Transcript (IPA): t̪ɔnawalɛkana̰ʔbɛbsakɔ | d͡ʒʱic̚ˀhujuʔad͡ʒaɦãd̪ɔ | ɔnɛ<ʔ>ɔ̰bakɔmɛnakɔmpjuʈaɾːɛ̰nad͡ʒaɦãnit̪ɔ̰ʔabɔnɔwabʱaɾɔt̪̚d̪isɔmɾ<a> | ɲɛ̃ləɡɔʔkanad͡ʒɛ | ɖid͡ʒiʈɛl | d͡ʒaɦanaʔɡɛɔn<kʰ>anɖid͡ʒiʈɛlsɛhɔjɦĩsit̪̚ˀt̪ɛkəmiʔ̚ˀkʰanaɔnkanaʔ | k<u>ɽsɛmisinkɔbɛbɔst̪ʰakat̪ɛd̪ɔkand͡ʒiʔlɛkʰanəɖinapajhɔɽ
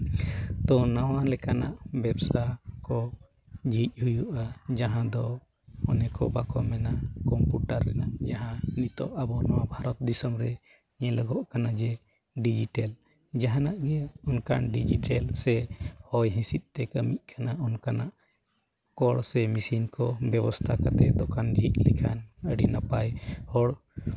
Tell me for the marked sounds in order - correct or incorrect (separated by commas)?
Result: incorrect, incorrect, incorrect, incorrect